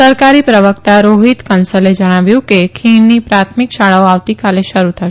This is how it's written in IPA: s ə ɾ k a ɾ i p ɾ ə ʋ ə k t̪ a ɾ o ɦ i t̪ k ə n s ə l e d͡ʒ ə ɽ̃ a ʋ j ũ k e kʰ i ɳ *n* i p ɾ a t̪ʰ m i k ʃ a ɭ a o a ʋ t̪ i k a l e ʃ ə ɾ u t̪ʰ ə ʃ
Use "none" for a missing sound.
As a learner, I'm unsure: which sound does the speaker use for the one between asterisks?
n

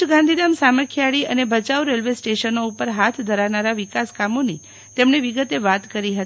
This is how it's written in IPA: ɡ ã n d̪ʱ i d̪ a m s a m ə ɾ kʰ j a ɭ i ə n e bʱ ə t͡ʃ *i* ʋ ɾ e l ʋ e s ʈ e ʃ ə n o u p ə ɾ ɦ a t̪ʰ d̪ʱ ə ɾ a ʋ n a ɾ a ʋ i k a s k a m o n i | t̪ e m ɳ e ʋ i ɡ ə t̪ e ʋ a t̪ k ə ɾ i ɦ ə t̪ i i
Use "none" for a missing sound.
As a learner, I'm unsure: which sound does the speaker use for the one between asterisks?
a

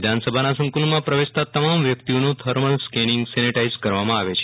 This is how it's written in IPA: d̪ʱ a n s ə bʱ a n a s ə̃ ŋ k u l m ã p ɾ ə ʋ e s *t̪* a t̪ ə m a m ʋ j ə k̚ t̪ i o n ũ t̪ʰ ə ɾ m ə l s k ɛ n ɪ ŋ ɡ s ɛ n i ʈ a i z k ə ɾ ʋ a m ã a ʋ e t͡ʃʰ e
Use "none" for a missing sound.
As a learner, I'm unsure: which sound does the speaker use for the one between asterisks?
t̪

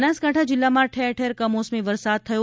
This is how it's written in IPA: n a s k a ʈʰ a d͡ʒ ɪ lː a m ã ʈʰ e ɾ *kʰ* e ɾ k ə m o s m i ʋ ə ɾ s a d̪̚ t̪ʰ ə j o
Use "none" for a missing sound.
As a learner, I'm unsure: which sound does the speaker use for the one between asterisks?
ʈʰ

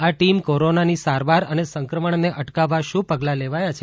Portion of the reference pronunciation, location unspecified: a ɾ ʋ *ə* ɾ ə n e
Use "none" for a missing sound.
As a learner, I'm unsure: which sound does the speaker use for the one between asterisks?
a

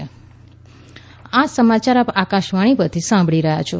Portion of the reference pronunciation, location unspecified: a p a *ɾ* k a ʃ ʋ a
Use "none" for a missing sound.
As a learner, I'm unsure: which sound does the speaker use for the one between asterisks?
none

